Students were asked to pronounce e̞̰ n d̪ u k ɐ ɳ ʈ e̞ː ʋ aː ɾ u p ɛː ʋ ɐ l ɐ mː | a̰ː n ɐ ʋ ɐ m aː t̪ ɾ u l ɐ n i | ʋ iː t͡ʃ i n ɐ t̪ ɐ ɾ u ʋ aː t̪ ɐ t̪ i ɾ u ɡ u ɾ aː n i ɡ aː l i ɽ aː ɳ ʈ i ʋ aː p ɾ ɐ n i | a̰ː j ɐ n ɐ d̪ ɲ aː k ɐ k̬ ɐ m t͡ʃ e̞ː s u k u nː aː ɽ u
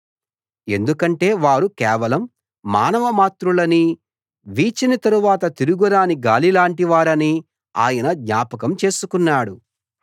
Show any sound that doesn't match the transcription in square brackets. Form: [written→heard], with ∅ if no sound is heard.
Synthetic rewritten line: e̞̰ n d̪ u k ɐ ɳ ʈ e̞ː ʋ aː ɾ u [p→k] ɛː ʋ ɐ l ɐ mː | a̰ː n ɐ ʋ ɐ m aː t̪ ɾ u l ɐ n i | ʋ iː t͡ʃ i n ɐ t̪ ɐ ɾ u ʋ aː t̪ ɐ t̪ i ɾ u ɡ u ɾ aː n i ɡ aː l i [ɽ→l] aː ɳ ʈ i ʋ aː [p→∅] ɾ ɐ n i | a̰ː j ɐ n ɐ d̪ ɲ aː [k→p] ɐ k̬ ɐ m t͡ʃ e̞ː s u k u nː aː ɽ u